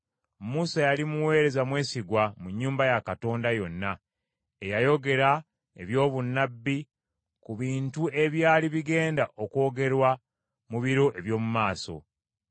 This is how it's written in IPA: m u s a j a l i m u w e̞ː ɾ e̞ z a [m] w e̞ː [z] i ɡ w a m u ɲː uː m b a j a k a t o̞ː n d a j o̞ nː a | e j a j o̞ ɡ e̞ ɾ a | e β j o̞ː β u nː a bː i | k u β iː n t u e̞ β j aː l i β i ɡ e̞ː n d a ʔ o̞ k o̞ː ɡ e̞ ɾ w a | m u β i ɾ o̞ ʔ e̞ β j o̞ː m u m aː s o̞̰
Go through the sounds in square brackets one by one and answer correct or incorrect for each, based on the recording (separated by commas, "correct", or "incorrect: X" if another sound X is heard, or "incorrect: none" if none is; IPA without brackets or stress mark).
correct, incorrect: s